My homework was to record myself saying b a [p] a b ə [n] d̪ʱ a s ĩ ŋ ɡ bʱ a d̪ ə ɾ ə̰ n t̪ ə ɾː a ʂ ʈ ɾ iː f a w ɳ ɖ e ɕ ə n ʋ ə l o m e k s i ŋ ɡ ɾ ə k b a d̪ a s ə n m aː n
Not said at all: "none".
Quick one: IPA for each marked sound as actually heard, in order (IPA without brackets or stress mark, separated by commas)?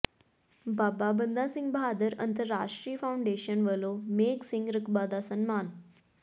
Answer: b, n